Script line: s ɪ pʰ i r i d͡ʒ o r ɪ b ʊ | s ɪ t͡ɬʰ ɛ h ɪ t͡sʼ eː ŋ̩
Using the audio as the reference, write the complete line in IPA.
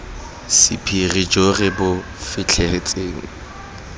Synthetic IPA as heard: s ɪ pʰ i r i d͡ʒ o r ɪ b ʊ | f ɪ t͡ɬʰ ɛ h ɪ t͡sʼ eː ŋ̩